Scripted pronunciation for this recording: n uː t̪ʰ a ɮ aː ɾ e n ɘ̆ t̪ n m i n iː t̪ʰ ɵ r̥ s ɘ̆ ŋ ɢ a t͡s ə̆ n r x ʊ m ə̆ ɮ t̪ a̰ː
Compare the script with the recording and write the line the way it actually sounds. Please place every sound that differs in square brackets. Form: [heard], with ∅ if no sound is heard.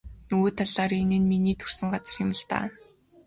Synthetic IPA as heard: n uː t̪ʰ a ɮ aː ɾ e n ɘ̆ [∅] n m i n iː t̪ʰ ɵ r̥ s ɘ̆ ŋ ɢ a t͡s ə̆ [∅] r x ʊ m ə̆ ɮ t̪ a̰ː